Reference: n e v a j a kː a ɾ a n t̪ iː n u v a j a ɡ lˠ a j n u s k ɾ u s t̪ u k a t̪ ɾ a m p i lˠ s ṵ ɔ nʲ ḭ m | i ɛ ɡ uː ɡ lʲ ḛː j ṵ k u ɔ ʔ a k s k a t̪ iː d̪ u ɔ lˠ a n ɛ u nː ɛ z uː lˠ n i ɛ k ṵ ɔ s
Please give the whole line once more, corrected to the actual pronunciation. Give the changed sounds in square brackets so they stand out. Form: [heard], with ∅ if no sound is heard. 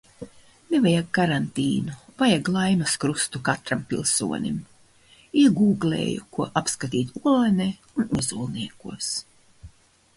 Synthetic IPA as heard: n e v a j a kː a ɾ a n t̪ iː n u v a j a ɡ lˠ a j n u s k ɾ u s t̪ u k a t̪ ɾ a m p i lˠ s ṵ ɔ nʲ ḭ m | i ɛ ɡ uː ɡ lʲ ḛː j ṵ k u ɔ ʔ a [p] s k a t̪ iː [t̪] u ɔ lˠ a n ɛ u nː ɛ z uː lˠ n i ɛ k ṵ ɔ s